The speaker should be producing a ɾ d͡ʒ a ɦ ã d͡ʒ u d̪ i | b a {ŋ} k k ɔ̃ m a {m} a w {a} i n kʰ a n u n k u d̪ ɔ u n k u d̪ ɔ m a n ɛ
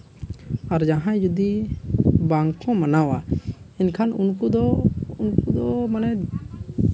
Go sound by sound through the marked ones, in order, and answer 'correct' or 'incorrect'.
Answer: correct, incorrect, correct

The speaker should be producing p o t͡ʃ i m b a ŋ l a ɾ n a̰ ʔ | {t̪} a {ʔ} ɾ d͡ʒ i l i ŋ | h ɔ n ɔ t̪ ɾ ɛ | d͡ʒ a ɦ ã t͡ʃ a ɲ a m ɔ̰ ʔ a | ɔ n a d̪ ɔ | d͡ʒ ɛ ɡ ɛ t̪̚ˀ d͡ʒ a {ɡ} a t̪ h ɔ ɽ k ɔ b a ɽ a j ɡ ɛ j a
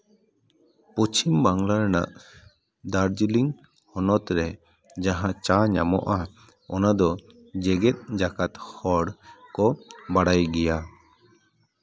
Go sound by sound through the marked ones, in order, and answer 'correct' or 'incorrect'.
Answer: incorrect, incorrect, incorrect

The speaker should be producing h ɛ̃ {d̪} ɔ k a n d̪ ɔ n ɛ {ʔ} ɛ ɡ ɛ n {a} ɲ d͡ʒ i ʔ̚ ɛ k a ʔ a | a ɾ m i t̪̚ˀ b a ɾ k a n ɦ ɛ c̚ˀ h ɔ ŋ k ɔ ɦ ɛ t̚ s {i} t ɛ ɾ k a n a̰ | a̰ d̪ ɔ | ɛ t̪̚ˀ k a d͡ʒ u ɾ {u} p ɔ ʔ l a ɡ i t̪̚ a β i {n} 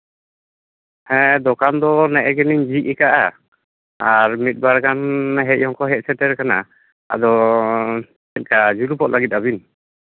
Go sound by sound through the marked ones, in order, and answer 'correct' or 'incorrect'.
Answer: correct, correct, incorrect, incorrect, correct, correct

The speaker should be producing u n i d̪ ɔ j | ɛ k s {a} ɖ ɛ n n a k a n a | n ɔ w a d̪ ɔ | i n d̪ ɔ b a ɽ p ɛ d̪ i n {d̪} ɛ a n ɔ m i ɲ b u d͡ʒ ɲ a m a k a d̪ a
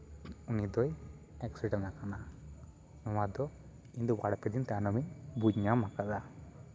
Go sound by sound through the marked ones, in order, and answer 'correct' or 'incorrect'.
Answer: incorrect, incorrect

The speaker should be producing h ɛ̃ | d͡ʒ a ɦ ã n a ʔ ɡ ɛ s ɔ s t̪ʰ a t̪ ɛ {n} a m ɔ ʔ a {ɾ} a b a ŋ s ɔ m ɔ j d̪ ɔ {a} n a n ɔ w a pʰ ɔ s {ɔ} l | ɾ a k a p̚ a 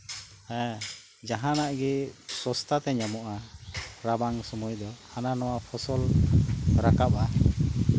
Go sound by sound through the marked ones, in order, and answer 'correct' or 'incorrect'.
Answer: incorrect, correct, correct, correct

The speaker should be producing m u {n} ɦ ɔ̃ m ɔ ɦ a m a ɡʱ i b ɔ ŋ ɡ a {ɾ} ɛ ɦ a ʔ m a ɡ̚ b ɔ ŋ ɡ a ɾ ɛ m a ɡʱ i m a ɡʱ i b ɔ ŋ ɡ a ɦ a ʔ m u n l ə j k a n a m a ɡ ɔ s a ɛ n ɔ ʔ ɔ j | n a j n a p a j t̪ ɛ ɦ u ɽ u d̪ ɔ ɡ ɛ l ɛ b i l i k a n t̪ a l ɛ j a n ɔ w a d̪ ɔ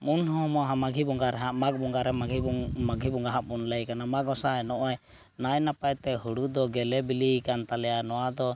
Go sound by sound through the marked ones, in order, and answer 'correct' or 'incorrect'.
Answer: correct, correct

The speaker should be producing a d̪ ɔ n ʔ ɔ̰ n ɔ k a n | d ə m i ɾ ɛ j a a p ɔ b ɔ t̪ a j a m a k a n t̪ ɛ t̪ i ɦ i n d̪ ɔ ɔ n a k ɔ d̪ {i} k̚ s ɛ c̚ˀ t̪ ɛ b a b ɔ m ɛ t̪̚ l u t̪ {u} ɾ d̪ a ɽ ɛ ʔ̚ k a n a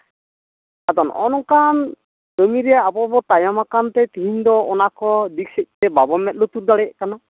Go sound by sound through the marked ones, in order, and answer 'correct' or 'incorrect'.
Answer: correct, correct

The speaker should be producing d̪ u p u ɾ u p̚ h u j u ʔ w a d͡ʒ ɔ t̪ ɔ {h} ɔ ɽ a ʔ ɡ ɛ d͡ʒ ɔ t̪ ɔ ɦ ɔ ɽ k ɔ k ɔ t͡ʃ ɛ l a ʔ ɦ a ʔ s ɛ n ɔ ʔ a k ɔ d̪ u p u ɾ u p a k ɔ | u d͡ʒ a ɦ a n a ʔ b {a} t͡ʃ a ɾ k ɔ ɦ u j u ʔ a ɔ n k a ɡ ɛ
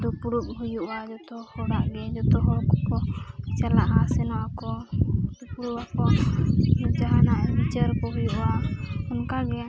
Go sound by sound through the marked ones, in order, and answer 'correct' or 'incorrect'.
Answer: correct, incorrect

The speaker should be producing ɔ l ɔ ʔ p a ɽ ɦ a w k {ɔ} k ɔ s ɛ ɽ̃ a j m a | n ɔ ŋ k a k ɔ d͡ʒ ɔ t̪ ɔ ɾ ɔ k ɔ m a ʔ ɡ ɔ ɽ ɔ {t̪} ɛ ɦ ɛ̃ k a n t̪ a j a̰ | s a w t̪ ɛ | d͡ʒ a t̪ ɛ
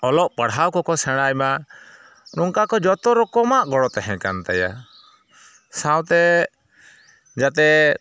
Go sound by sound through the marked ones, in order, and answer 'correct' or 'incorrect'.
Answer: correct, correct

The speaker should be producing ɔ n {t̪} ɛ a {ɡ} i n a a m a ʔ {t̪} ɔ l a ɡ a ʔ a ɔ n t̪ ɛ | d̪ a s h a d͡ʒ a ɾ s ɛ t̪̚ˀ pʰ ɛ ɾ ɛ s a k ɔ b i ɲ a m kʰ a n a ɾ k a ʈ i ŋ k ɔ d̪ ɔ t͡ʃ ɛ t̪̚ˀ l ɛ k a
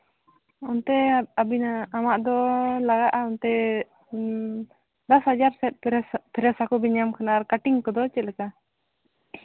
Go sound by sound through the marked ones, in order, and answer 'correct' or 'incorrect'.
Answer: correct, incorrect, incorrect

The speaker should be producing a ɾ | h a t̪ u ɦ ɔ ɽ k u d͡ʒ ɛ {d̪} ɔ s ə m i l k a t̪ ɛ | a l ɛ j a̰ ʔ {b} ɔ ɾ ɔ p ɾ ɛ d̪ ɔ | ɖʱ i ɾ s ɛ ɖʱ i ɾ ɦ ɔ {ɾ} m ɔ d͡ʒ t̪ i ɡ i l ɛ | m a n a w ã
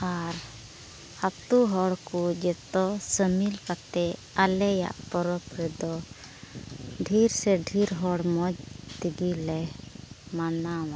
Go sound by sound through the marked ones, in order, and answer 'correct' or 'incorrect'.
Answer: incorrect, incorrect, incorrect

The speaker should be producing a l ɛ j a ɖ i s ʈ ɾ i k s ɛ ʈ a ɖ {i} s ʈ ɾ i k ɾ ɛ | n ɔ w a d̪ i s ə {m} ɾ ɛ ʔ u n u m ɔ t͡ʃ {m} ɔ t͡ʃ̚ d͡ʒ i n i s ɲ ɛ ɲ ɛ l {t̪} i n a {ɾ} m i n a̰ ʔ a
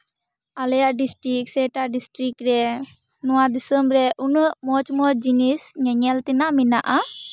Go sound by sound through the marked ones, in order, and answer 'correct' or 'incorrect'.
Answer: correct, correct, correct, correct, incorrect

